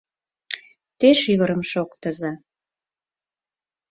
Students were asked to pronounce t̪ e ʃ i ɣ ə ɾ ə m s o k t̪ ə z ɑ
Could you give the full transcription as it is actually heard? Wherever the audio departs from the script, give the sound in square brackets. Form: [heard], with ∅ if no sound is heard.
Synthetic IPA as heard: t̪ e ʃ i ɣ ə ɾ ə m [ʃ] o k t̪ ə z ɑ